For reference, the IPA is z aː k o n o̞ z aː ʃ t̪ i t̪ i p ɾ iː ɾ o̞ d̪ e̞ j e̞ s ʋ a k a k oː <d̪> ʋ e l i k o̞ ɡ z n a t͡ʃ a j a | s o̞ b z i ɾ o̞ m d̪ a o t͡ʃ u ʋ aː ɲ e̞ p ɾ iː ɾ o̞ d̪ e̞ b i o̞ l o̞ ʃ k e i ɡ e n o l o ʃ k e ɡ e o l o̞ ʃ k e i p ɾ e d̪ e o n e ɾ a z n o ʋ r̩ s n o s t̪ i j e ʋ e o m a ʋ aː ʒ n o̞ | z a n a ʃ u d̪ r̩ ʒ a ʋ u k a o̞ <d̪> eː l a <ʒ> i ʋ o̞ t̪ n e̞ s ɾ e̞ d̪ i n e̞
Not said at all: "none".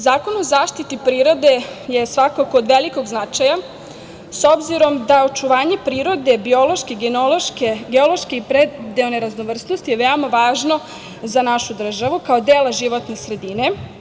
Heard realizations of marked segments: d̪, d̪, ʒ

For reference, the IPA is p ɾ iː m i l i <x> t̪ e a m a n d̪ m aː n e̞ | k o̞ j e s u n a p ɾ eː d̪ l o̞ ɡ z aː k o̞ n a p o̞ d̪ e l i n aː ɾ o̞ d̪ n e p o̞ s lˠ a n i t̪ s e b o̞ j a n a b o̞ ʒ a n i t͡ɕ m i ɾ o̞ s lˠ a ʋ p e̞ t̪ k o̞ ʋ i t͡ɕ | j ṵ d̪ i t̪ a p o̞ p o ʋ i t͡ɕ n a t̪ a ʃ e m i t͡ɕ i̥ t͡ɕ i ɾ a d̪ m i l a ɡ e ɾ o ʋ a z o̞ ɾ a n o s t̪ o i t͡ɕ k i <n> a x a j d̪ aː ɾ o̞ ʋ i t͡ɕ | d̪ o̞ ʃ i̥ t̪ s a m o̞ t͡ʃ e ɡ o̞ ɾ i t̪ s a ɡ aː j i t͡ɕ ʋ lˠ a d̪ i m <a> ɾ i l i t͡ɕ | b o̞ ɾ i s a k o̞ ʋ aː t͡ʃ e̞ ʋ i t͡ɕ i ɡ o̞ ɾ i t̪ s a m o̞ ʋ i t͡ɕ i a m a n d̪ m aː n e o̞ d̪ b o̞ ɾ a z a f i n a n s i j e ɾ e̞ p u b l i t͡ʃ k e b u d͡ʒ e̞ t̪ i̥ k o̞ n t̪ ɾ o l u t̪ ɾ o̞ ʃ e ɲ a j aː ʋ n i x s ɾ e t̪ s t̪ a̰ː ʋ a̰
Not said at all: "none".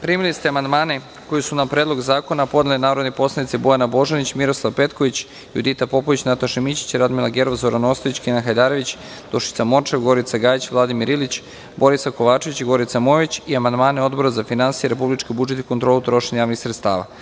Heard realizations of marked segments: s, n, i

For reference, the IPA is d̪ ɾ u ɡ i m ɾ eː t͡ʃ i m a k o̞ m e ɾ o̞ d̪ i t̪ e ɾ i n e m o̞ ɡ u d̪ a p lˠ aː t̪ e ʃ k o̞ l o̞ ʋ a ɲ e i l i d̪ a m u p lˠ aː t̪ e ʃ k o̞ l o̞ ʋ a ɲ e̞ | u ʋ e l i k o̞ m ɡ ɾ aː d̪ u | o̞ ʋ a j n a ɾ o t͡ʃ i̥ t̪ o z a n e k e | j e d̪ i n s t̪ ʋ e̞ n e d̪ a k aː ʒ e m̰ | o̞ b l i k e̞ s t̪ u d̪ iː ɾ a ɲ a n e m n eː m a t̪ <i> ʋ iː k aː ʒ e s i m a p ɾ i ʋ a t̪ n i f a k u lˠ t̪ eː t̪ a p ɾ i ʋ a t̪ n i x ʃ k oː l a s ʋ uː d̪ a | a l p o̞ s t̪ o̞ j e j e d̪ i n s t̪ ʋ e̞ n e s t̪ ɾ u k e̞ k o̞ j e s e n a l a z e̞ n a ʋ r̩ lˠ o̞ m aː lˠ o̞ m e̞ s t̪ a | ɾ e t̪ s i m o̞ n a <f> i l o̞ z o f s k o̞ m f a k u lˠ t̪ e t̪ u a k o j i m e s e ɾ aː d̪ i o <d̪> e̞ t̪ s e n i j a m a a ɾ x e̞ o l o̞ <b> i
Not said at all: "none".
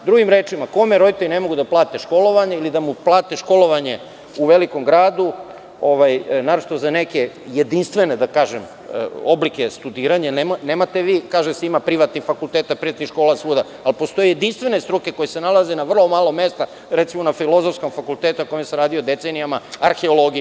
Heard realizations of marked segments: e, f, d̪, ɡ

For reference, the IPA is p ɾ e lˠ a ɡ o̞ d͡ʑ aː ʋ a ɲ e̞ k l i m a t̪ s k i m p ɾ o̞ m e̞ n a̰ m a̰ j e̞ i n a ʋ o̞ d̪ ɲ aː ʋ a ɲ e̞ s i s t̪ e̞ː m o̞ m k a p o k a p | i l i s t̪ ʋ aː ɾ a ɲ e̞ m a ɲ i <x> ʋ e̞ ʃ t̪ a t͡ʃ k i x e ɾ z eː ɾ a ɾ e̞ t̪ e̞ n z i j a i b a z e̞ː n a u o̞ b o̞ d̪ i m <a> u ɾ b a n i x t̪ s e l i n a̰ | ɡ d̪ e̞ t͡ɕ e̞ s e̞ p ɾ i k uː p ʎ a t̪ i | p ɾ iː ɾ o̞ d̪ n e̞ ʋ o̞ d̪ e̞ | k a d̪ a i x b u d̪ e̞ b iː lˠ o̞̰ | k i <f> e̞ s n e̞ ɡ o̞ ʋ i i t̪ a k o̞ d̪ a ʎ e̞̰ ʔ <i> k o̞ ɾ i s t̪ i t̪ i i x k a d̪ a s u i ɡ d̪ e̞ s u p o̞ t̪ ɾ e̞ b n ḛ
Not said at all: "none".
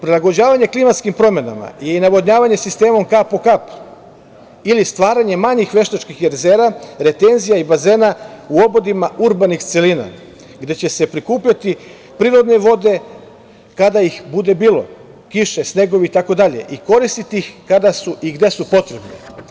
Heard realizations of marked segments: x, a, ʃ, i

